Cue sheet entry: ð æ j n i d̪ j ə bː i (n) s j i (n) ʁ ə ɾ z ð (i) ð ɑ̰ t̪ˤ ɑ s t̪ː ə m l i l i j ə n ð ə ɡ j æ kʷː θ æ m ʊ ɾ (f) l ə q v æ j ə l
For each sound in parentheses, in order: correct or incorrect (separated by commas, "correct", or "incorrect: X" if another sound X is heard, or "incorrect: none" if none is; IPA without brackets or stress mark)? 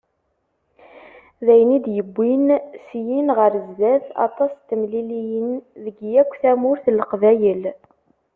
correct, correct, incorrect: æ, incorrect: θ